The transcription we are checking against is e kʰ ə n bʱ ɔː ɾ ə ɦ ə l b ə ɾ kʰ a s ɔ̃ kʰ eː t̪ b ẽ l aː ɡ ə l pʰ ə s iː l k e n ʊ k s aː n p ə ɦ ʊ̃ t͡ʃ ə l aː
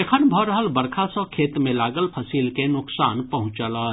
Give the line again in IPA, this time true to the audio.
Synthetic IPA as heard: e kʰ ə n bʱ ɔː ɾ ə ɦ ə l b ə ɾ kʰ a s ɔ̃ kʰ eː t̪ m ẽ l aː ɡ ə l pʰ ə s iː l k e n ʊ k s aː n p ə ɦ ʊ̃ t͡ʃ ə l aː

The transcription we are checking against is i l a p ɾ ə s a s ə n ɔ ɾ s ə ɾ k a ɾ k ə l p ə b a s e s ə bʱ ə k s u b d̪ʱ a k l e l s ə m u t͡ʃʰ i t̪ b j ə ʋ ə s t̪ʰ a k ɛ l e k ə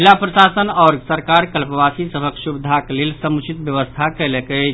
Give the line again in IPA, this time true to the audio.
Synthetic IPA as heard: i l a p ɾ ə s a s ə n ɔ ɾ s ə ɾ k a ɾ k ə l p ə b a s i s ə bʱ ə k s u b d̪ʱ a k l e l s ə m u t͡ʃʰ i t̪ b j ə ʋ ə s t̪ʰ a k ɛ l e k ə

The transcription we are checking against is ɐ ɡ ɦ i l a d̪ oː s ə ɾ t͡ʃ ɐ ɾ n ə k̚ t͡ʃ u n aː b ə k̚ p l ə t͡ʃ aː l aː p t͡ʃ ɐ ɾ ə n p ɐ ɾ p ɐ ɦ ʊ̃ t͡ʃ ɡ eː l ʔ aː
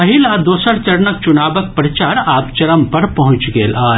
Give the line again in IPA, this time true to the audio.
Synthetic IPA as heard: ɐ ɦ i l a d̪ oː s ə ɾ t͡ʃ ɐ ɾ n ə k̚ t͡ʃ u n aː b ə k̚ p ɾ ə t͡ʃ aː ɾ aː p t͡ʃ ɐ ɾ ə m p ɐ ɾ p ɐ ɦ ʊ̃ t͡ʃ ɡ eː l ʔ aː

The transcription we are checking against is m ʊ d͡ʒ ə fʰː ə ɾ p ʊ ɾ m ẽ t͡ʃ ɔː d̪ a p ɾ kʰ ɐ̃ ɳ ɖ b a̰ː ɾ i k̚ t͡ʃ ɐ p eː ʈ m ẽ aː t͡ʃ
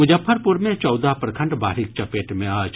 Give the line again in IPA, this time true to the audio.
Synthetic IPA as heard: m ʊ d͡ʒ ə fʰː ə ɾ p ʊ ɾ m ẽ t͡ʃ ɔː d̪ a p ɾ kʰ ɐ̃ ɳ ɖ b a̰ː ɾ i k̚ t͡ʃ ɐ p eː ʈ m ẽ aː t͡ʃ

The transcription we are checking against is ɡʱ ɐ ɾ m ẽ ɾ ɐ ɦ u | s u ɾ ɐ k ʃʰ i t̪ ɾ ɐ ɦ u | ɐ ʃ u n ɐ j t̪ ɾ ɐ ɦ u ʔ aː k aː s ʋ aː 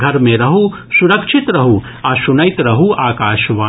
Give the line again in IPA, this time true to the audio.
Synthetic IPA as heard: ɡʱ ɐ ɾ m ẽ ɾ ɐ ɦ u | s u ɾ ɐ k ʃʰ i t̪ ɾ ɐ ɦ u | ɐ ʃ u n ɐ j t̪ ɾ ɐ ɦ u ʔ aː k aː ʃ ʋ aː

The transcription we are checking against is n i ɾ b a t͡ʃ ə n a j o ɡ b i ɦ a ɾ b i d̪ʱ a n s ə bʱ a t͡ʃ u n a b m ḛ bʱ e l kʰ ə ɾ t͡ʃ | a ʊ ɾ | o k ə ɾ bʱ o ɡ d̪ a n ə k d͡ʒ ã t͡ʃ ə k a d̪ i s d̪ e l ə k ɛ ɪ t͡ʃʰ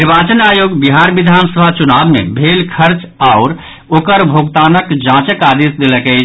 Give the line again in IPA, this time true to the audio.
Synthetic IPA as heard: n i ɾ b a t͡ʃ ə n a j o ɡ b i ɦ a ɾ b i d̪ʱ a n s ə bʱ a t͡ʃ u n a b m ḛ bʱ e l kʰ ə ɾ t͡ʃ | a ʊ ɾ | o k ə ɾ bʱ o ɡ t̪ a n ə k d͡ʒ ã t͡ʃ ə k a d̪ i s d̪ e l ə k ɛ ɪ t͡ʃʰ

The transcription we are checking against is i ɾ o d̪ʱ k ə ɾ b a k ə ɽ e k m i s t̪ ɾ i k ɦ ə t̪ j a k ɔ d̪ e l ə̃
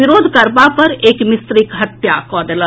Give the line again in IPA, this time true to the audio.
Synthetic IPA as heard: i ɾ o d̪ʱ k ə ɾ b a p ə ɾ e k m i s t̪ ɾ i k ɦ ə t̪ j a k ɔ d̪ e l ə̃

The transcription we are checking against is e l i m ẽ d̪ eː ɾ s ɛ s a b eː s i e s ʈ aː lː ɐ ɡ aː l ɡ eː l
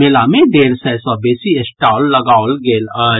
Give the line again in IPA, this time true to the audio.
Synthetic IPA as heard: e l a m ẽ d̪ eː ɾ s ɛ s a b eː s i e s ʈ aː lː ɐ ɡ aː l ɡ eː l

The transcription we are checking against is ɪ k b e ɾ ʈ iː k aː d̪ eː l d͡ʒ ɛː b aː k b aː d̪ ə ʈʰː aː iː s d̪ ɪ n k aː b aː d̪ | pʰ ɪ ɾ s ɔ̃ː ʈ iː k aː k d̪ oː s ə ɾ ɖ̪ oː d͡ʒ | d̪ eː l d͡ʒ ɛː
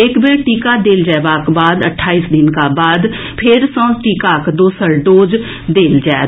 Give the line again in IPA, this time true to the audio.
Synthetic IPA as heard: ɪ k b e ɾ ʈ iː k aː d̪ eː l d͡ʒ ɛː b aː k b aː d̪ ə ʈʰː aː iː s d̪ ɪ n k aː b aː d̪ | pʰ ɪ ɾ s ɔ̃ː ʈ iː k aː k d̪ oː s ə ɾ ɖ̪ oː d͡ʒ | d̪ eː l d͡ʒ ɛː

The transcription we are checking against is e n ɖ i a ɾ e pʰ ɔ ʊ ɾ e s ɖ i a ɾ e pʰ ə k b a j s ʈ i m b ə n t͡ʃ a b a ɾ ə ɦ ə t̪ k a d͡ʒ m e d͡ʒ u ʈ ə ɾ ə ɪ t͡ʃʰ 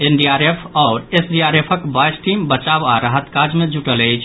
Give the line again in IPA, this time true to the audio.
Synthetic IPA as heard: e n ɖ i a ɾ e pʰ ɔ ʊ ɾ e s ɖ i a ɾ e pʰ ə k b a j s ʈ i m b ə t͡ʃ a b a ɾ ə ɦ ə t̪ k a d͡ʒ m e d͡ʒ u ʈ ə l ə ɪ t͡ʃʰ

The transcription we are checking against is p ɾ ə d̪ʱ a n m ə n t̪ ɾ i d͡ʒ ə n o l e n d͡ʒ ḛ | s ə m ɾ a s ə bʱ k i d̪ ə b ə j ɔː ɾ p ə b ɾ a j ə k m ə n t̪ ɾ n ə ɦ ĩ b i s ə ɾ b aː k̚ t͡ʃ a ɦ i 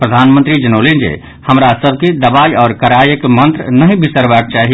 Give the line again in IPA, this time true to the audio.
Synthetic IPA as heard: p ɾ ə d̪ʱ a n m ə n t̪ ɾ i d͡ʒ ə n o l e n d͡ʒ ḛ | h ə m ɾ a s ə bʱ k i d̪ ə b a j ɔː ɾ k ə ɾ a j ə k m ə n t̪ ɾ n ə ɦ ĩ b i s ə ɾ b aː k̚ t͡ʃ a ɦ i

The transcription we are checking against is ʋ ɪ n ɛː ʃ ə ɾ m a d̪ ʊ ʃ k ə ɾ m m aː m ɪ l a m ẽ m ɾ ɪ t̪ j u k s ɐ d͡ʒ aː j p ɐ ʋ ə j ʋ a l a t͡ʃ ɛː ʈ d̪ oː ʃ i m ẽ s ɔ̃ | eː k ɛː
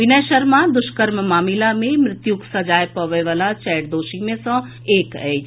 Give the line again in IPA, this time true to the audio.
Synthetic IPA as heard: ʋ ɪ n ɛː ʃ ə ɾ m a d̪ ʊ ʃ k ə ɾ m m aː m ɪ l a m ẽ m ɾ ɪ t̪ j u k s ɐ d͡ʒ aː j p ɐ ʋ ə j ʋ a l a t͡ʃ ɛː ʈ d̪ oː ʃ i m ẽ s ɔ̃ | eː k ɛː

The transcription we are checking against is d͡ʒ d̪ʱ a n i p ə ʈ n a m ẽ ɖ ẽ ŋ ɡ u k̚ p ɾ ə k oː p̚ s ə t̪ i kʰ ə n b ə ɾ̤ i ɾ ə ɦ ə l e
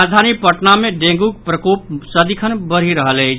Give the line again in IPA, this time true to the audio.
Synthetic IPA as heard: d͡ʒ d̪ʱ a n i p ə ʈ n a m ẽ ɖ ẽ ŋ ɡ u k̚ p ɾ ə k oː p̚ s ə d̪ i kʰ ə n b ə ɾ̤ i ɾ ə ɦ ə l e

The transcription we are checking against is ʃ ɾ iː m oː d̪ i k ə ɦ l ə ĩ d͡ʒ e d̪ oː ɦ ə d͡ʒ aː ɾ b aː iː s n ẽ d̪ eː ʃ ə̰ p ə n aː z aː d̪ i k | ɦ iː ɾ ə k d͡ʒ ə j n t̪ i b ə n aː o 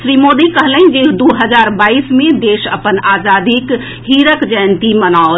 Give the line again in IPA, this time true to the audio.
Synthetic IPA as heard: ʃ ɾ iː m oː d̪ i k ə ɦ l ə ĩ d͡ʒ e d̪ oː ɦ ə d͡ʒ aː ɾ b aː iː s m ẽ d̪ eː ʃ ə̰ p ə n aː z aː d̪ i k | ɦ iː ɾ ə k d͡ʒ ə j n t̪ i m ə n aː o

